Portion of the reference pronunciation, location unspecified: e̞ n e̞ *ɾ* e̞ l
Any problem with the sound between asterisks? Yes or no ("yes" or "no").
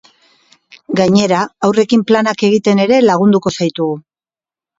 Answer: no